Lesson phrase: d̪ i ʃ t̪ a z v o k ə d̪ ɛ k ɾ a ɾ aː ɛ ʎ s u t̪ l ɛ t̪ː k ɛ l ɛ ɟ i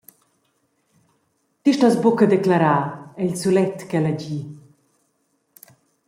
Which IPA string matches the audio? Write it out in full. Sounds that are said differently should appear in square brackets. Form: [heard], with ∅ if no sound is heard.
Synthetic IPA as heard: [t̪] i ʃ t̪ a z [b] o k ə d̪ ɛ k [l] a ɾ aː ɛ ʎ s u [∅] l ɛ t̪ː k ɛ l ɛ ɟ i